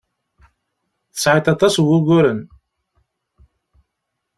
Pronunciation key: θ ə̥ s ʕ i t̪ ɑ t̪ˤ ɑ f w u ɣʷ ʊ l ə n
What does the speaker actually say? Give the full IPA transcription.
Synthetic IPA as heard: θ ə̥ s ʕ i t̪ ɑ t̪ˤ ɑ s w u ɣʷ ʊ ɾ ə n

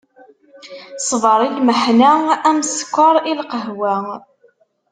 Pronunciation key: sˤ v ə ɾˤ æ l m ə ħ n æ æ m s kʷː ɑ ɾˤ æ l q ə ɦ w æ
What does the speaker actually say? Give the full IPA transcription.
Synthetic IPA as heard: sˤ v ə ɾˤ i l m ə ħ n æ æ m s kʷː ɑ ɾˤ i l q ə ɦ w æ

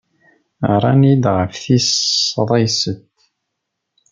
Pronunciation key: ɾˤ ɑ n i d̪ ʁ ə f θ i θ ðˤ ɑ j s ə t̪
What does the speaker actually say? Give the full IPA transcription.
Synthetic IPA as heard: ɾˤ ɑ n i d̪ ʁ ə f θ i s ðˤ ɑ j s ə t̪

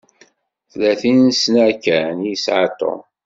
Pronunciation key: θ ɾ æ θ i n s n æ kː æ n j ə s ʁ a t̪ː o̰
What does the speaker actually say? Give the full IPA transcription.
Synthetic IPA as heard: θ l æ θ i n s n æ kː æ n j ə s ʕ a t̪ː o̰

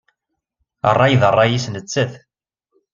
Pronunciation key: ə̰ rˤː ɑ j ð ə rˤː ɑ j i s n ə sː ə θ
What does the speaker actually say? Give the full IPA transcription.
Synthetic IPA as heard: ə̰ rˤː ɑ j ð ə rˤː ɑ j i s n ə t͡sː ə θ

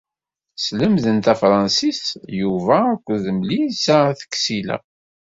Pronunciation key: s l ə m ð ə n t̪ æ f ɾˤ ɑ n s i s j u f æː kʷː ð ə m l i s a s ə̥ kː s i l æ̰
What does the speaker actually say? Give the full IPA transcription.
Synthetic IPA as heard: s l ə m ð ə n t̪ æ f ɾˤ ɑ n s i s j u v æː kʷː ð ə m l i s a θ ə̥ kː s i l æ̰

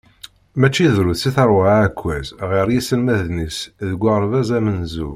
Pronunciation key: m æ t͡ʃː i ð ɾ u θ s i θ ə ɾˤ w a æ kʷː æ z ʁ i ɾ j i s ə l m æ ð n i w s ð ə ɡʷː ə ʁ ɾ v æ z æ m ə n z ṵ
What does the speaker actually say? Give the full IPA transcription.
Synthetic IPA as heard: m æ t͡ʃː i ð ɾ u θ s i θ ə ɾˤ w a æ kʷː æ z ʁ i ɾ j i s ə l m æ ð n i s ð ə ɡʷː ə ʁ ɾ v æ z æ m ə n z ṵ

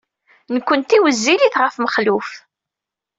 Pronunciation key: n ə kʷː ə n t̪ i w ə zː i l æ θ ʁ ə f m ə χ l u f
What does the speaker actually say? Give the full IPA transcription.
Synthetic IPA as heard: n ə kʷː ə n t̪ i w ə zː i l i θ ʁ ə f m ə χ l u f

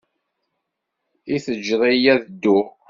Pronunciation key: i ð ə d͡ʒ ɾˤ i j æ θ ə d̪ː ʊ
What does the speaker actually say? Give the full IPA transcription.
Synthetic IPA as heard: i θ ə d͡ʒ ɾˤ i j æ ð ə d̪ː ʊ

